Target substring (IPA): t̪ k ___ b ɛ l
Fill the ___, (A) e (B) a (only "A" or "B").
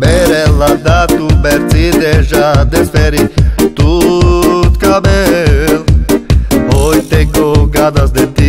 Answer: B